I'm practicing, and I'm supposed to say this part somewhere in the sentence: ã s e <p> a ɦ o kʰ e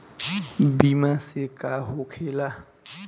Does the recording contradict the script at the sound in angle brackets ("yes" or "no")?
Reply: yes